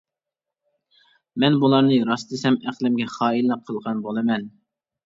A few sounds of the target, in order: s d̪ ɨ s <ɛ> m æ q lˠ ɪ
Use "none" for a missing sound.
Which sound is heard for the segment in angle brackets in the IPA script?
ɛ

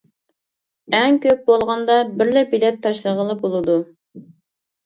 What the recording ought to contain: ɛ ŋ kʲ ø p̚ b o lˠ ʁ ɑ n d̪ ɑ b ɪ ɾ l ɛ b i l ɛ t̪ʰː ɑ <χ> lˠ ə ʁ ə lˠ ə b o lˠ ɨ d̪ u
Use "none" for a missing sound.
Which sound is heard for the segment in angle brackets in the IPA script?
ʃ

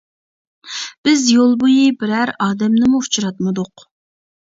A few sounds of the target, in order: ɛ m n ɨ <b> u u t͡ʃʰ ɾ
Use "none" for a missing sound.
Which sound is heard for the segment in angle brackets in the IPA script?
m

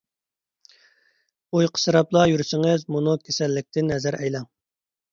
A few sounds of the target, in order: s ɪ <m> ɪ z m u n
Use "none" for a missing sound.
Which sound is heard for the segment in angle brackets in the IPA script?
ŋ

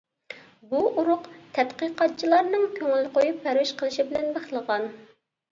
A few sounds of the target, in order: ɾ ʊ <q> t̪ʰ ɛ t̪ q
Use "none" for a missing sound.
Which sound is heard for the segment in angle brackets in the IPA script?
q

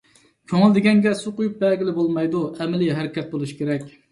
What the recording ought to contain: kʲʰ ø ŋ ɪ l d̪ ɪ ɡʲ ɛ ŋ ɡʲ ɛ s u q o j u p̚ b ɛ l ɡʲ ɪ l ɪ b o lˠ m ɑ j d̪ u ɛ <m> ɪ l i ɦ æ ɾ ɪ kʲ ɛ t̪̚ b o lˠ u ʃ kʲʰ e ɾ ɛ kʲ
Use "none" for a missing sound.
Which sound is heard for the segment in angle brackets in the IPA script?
m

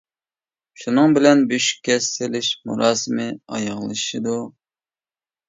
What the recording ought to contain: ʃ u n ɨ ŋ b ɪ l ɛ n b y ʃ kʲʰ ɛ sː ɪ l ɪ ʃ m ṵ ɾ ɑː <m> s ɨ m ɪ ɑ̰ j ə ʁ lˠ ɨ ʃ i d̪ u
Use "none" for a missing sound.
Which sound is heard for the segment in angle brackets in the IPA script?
none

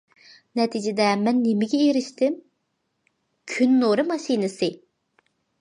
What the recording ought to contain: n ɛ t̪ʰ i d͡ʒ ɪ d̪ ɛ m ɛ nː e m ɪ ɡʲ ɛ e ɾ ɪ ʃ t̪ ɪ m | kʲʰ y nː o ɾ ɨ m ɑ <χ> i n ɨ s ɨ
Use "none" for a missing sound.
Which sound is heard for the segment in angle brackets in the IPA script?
ʃ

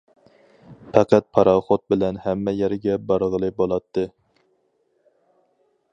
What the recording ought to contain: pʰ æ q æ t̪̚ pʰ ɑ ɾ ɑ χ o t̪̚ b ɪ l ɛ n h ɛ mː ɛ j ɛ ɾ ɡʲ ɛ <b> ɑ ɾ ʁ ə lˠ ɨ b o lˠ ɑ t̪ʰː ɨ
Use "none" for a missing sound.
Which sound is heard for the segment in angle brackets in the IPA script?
b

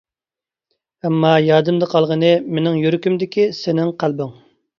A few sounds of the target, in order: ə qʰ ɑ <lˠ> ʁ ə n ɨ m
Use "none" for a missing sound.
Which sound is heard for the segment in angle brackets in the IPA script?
lˠ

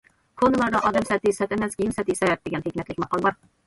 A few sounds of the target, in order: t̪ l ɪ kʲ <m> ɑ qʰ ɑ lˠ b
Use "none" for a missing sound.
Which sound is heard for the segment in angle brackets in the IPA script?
m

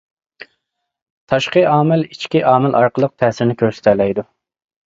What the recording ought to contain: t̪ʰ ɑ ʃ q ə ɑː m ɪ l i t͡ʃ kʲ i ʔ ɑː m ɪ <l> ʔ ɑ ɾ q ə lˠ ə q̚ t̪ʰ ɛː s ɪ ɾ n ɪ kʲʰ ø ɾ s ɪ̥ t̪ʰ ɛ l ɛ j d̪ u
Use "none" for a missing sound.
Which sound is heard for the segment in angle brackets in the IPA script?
l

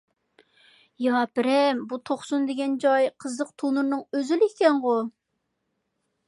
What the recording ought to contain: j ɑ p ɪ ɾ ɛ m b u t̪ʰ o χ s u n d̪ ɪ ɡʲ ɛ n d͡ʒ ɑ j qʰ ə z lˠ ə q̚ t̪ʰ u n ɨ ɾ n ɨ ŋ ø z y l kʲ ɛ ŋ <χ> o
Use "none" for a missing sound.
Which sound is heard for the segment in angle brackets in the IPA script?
ʁ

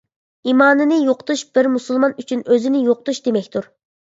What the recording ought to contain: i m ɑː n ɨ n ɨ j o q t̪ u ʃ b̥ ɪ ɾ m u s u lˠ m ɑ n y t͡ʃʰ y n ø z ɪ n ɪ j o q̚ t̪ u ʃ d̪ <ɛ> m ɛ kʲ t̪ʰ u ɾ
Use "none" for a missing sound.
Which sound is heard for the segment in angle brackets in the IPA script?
e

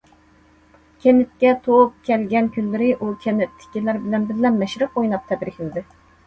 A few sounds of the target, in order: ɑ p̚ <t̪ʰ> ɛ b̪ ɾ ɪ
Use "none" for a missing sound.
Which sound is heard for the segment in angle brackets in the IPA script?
t̪ʰ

